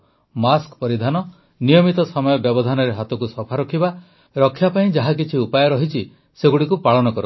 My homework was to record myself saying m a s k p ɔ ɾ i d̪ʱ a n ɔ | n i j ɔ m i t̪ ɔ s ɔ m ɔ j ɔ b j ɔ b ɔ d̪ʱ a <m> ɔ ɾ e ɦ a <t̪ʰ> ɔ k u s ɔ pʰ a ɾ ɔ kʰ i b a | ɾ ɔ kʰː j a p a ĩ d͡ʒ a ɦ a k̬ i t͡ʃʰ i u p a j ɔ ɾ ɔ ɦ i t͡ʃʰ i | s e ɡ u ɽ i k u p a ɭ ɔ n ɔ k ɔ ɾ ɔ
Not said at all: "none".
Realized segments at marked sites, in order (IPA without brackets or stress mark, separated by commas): n, t̪